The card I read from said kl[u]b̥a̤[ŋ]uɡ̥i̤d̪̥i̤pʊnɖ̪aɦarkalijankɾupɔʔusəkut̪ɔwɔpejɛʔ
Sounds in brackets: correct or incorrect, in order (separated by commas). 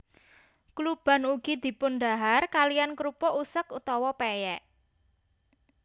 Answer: correct, incorrect